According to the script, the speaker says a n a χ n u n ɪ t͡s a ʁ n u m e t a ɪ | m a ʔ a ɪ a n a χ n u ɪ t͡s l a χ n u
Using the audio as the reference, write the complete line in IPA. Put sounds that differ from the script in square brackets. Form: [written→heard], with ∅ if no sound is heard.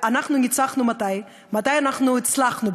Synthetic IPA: a n a χ n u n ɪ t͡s a [ʁ→χ] n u m [e→a] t a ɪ | m a [ʔ→t] a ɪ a n a χ n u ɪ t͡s l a χ n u

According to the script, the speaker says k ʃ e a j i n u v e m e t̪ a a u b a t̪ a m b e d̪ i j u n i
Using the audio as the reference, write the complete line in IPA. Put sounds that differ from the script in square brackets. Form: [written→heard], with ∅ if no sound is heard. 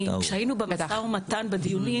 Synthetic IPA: k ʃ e a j i n u [v→b] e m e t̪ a a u [b→m] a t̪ a [m→n] b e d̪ i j u n i

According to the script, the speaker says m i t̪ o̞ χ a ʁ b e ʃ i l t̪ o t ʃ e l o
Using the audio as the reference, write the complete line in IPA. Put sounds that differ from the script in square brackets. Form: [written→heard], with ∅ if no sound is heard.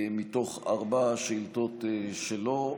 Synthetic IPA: m i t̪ o̞ χ a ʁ b [e→a] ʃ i l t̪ o t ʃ e l o

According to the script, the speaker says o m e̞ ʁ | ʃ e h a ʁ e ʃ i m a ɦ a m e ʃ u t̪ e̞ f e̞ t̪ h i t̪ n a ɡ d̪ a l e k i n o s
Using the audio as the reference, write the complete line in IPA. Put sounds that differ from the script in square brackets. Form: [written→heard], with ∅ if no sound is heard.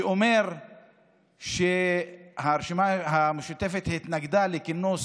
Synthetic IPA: o m e̞ ʁ | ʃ e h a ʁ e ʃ i m a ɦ a m e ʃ u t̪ e̞ f e̞ t̪ h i t̪ n a ɡ d̪ a l e k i n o s

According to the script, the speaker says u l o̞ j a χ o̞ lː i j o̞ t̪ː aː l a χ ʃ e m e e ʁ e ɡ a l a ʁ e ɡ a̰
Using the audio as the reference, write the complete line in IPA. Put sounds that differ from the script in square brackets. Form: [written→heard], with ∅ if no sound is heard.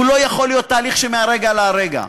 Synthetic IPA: u l o̞ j a χ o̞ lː i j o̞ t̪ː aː l [a→i] χ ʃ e m e [e→a] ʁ e ɡ a l a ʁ e ɡ a̰

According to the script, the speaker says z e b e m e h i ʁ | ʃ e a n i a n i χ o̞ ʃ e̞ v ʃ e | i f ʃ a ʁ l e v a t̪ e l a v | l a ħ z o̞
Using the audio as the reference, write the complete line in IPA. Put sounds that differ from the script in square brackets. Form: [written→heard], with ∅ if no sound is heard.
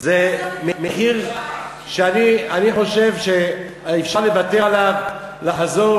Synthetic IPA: z e [b→m] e m e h i ʁ | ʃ e a n i a n i χ o̞ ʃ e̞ v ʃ e | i f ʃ a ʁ l e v a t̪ e l a v | l a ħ z o̞

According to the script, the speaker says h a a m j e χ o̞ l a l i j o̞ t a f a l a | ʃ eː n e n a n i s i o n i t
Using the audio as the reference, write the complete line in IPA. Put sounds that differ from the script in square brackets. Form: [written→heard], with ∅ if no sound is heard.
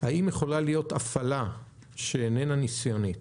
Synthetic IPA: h a [a→i] m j e χ o̞ l a l i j o̞ t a f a l a | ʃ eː n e n a n i s [i→j] o n i t

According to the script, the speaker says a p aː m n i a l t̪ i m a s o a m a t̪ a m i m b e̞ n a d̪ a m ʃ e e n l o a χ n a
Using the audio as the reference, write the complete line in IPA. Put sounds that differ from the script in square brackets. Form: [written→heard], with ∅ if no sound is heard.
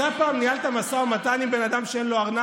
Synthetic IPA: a p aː m n i a l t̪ [i→a] m a s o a m a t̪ a [m→n] i m b e̞ n a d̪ a m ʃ e e n l o a [χ→ʁ] n a

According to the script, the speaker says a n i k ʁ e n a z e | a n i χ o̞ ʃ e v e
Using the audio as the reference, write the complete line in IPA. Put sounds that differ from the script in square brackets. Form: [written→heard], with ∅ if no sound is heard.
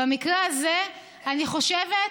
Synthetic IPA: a [n→m] i k ʁ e [n→∅] a z e | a n i χ o̞ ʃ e v e

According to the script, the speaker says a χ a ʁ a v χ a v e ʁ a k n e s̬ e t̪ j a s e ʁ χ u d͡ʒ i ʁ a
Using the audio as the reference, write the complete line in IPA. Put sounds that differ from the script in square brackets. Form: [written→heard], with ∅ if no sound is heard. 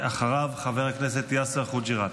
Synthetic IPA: a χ a ʁ a v χ a v e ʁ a k n e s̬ e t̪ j a s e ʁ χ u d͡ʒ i ʁ a

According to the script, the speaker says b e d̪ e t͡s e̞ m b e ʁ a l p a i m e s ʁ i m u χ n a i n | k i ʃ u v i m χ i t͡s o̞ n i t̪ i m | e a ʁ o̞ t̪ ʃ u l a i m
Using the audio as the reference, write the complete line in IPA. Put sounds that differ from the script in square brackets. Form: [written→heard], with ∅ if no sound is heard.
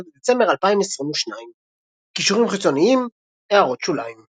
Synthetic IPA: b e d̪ e t͡s e̞ m b e ʁ a l p a i m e s ʁ i m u [χ→ʃ] n a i [n→m] | k i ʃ u [v→ʁ] i m χ i t͡s o̞ n i [t̪→∅] i m | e a ʁ o̞ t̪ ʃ u l a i m

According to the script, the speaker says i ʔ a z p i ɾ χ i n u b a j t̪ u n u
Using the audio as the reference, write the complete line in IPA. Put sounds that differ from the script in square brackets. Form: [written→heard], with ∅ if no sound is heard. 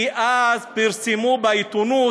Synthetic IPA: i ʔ a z p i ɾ [χ→s] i [n→m] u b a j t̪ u n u

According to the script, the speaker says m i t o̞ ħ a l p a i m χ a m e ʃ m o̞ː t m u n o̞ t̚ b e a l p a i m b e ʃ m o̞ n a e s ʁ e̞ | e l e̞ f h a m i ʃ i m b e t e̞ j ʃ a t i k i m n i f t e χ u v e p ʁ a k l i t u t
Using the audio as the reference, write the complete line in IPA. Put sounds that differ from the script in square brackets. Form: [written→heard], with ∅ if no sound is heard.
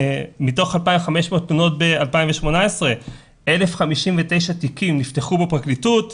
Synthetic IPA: m i t o̞ [ħ→χ] a l p a i m χ a m e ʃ m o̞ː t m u n o̞ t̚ b e a l p a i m [b→v] e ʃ m o̞ n a e s ʁ e̞ | e l e̞ f [h→χ] a m i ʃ i m [b→v] e t e̞ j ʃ a t i k i m n i f t e χ u [v→b] e p ʁ a k l i t u t

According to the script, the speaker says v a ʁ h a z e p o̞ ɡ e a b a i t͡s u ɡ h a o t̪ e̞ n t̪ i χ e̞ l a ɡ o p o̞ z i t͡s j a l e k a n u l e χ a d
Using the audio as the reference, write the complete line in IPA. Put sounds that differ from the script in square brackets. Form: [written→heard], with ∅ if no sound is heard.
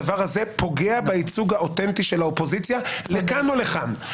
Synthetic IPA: v a ʁ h a z e p o̞ ɡ e a b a i t͡s u ɡ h a o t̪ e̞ n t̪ i [χ→ʃ] e̞ l a [ɡ→∅] o p o̞ z i t͡s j a l e k a n [u→o] l e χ a [d→n]

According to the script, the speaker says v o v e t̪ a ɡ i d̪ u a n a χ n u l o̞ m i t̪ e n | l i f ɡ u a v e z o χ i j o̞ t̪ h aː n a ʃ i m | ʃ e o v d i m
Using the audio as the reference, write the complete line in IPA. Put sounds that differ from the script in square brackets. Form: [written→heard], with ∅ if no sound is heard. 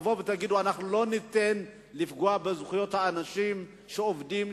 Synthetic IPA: v o v e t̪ a ɡ i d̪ u a n a χ n u l o̞ [m→n] i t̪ e n | l i f ɡ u a [v→b] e z [o→u] χ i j o̞ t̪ h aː n a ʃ i m | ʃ e o v d i m

